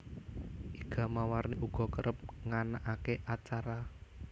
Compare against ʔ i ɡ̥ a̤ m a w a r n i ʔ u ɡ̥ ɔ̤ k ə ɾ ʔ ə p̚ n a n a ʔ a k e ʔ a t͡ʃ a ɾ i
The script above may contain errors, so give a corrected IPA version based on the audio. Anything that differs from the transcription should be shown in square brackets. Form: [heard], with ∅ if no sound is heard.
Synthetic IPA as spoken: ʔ i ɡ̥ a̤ m a w a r n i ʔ u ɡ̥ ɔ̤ k ə ɾ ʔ ə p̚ [ŋ] a n a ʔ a k e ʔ a t͡ʃ a ɾ [a]